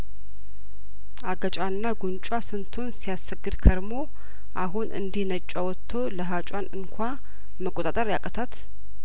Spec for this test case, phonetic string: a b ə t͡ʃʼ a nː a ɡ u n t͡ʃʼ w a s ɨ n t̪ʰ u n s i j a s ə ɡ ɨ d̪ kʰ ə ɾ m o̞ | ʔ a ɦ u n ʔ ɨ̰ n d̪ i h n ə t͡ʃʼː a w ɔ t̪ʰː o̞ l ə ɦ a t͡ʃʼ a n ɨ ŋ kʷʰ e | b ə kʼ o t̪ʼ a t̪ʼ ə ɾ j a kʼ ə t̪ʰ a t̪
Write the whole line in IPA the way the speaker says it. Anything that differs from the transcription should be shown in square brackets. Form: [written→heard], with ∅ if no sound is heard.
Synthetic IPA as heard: a [b→ɡ] ə t͡ʃʼ a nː a ɡ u n t͡ʃʼ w a s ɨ n t̪ʰ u n s i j a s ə ɡ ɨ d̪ kʰ ə ɾ m o̞ | ʔ a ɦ u n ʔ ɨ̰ n d̪ i h n ə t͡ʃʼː a w ɔ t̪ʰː o̞ l ə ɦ a t͡ʃʼ a n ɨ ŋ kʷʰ [e→a] | [b→m] ə kʼ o t̪ʼ a t̪ʼ ə ɾ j a kʼ ə t̪ʰ a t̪